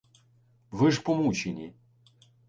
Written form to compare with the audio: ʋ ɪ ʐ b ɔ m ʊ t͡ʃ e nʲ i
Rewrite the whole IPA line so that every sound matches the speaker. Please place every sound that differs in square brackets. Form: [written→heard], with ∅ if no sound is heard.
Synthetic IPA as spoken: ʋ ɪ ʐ [b→p] ɔ m [ʊ→u] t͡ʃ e nʲ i